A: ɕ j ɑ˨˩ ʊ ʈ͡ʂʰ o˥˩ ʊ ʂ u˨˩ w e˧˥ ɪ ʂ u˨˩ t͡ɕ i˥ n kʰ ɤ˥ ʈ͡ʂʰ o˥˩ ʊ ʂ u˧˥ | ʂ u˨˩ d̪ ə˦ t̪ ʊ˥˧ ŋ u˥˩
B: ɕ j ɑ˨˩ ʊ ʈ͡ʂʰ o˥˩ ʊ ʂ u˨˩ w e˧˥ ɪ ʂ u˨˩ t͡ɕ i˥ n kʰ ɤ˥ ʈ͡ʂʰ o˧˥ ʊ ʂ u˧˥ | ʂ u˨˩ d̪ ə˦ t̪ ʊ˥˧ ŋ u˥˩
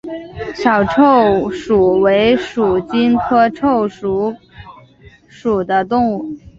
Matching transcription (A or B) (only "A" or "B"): A